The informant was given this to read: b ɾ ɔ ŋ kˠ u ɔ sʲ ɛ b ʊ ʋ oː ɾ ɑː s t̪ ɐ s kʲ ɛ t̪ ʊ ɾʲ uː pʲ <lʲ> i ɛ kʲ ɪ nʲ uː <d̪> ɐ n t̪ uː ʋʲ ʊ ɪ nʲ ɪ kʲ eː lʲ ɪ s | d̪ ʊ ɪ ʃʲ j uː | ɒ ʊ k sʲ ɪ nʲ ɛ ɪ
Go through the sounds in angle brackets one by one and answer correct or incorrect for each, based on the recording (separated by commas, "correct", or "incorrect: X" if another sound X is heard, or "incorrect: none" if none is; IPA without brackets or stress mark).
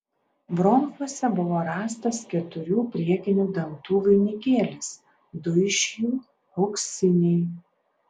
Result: incorrect: ɾʲ, correct